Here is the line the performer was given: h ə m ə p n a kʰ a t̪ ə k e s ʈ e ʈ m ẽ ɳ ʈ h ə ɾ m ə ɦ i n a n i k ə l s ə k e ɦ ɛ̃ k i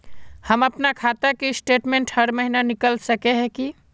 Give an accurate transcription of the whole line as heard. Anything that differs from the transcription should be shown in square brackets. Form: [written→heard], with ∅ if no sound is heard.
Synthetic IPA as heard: h ə m ə p n a kʰ a t̪ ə k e s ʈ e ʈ m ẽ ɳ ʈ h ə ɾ m ə ɦ i n a n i k ə l s ə k e ɦ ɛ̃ k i